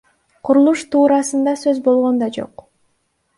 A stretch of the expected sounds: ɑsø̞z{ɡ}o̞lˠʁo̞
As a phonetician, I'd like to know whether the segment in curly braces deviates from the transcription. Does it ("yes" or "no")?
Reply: yes